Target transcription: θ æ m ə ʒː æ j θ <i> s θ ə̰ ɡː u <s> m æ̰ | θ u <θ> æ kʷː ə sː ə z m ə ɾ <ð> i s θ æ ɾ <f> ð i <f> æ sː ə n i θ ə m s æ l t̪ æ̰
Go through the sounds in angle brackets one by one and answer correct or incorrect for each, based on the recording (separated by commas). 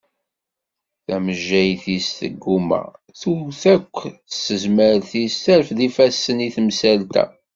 correct, incorrect, correct, incorrect, correct, correct